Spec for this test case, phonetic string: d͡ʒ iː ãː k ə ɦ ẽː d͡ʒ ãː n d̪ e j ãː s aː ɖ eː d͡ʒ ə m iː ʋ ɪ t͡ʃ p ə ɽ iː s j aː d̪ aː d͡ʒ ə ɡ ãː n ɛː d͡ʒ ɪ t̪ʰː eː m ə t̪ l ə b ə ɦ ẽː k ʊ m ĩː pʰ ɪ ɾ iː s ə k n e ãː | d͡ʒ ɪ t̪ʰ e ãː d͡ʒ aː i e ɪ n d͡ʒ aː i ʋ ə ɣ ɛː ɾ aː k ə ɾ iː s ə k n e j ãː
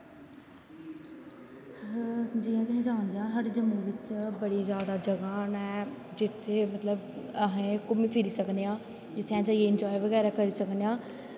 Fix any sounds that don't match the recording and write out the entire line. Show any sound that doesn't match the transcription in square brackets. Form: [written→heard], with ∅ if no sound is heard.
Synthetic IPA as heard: d͡ʒ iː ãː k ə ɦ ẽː d͡ʒ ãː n d̪ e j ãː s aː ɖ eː d͡ʒ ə m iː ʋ ɪ t͡ʃ [p→b] ə ɽ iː [s→z] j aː d̪ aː d͡ʒ ə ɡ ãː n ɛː d͡ʒ ɪ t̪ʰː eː m ə t̪ l ə b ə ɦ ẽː k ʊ m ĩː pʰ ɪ ɾ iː s ə k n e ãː | d͡ʒ ɪ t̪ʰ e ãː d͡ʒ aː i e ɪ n d͡ʒ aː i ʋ ə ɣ ɛː ɾ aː k ə ɾ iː s ə k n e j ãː